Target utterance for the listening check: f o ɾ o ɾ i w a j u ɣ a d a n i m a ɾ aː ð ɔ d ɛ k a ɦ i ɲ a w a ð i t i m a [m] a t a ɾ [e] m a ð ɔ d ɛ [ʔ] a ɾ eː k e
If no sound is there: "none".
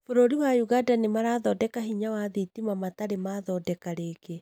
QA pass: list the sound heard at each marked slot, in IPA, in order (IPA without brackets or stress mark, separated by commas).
m, e, k